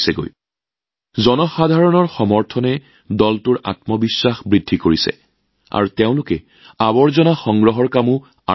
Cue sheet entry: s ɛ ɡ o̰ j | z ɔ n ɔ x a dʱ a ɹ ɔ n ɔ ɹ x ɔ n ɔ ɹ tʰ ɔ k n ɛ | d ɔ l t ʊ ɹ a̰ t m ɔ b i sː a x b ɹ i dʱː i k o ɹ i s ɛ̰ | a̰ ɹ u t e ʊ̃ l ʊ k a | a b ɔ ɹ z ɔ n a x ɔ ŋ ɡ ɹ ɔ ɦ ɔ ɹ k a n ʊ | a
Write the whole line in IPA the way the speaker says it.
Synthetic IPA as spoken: s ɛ ɡ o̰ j | z ɔ n ɔ x a dʱ a ɹ ɔ n ɔ ɹ x ɔ m ɔ ɹ tʰ ɔ n ɛ | d ɔ l t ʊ ɹ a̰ t m ɔ b i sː a x b ɹ i dʱː i k o ɹ i s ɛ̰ | a̰ ɹ u t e ʊ̃ l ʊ k ɛ | a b ɔ ɹ z ɔ n a x ɔ ŋ ɡ ɹ ɔ ɦ ɔ ɹ k a m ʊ | a